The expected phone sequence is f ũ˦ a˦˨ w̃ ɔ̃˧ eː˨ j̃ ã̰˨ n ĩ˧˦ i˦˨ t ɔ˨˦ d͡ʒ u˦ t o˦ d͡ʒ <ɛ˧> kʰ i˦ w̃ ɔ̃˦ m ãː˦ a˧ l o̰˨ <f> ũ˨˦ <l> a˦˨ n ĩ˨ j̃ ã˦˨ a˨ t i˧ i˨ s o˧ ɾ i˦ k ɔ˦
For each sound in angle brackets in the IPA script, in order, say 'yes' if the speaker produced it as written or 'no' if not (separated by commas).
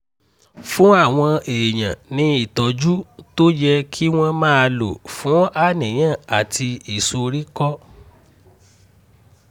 yes, yes, no